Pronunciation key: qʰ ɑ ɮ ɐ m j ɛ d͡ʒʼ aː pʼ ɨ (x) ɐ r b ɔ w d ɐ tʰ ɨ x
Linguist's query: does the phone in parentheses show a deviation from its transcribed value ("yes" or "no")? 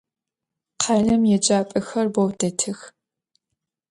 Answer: no